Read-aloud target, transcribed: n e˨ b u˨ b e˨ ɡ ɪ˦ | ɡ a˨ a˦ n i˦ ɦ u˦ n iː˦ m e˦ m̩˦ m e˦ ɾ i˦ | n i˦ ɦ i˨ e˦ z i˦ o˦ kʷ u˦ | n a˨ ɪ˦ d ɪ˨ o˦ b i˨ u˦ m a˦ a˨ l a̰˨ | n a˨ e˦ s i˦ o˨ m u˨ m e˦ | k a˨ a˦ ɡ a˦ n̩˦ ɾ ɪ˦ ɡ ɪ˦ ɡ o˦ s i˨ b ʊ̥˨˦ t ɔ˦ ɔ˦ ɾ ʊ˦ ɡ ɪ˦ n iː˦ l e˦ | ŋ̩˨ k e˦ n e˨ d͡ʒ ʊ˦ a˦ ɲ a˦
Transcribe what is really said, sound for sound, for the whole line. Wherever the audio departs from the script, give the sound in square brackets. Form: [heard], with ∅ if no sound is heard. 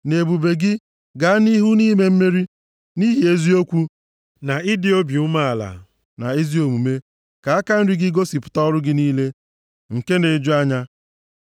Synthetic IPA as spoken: n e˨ b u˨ b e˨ ɡ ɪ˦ | ɡ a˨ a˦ n i˦ ɦ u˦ n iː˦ m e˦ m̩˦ m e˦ ɾ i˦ | n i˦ ɦ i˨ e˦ z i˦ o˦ kʷ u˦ | n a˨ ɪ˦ d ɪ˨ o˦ b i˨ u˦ m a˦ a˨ l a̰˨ | n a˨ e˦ [z] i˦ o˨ m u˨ m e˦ | k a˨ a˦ [k] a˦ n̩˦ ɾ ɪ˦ ɡ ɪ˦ ɡ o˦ s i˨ [p] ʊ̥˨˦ t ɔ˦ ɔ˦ ɾ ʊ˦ ɡ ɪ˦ n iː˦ l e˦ | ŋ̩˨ k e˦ n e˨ d͡ʒ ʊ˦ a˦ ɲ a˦